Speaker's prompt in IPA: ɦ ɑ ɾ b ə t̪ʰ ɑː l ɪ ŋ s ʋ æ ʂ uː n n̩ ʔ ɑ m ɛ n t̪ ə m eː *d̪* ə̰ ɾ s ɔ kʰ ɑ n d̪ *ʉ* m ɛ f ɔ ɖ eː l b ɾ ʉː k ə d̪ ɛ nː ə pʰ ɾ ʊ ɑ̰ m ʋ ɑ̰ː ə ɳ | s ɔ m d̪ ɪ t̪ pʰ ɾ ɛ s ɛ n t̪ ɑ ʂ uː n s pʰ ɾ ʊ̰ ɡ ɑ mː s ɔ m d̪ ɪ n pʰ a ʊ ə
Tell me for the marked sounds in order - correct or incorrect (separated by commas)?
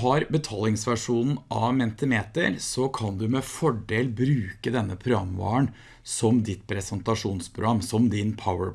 incorrect, correct